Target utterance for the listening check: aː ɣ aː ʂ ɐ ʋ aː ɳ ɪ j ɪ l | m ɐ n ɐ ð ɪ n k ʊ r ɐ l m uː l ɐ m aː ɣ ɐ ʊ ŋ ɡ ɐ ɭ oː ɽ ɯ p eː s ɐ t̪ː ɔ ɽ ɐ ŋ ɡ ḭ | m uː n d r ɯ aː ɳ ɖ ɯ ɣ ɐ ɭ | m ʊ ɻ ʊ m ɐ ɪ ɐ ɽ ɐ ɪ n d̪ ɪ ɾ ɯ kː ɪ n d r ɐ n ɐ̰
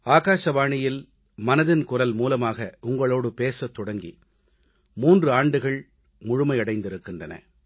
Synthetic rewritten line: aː ɣ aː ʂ ɐ ʋ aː ɳ ɪ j ɪ l | m ɐ n ɐ ð ɪ n k ʊ r ɐ l m uː l ɐ m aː ɣ ɐ ʊ ŋ ɡ ɐ ɭ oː ɽ ɯ p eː s ɐ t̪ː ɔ ɽ ɐ ŋ ɡ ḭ | m uː n d r ɯ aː ɳ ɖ ɯ ɣ ɐ ɭ | m ʊ ɻ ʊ m ɐ ɪ ɐ ɽ ɐ ɪ n d̪ ɪ ɾ ɯ kː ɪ n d r ɐ n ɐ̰